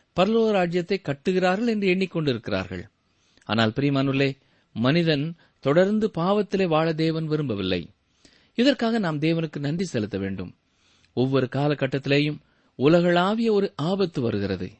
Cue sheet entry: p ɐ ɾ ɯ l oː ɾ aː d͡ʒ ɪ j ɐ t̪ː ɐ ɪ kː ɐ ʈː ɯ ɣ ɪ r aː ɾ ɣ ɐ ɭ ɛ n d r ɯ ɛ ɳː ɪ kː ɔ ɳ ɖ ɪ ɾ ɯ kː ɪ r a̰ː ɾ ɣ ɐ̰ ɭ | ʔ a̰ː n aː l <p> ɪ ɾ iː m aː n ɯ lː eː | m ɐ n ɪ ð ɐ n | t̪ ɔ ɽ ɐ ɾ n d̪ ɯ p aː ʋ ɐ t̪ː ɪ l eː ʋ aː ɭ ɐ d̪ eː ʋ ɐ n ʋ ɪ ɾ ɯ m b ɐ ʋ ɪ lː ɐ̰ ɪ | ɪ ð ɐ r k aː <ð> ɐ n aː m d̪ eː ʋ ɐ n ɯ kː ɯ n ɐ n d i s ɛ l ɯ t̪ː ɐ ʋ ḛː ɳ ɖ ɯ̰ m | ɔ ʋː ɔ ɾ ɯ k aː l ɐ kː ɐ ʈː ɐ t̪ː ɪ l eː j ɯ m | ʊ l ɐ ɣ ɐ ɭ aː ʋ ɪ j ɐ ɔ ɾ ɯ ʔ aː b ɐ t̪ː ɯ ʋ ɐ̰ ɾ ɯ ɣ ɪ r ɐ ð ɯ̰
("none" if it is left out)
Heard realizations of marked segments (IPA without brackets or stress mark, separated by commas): p, ɣ